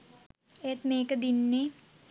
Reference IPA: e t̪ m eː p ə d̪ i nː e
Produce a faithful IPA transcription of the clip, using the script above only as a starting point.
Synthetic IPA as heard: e t̪ m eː k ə d̪ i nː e